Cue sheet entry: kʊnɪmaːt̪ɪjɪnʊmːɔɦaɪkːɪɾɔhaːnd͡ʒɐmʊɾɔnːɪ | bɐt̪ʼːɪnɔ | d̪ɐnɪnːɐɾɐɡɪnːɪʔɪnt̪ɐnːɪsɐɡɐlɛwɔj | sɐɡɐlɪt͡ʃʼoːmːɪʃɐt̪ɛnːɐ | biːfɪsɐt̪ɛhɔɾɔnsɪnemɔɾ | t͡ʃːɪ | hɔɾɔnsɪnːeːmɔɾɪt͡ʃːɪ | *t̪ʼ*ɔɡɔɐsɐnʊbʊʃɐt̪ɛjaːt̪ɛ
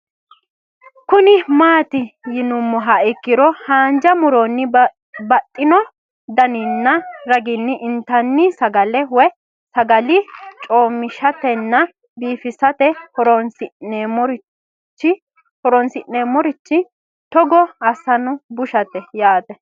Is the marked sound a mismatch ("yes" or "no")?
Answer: yes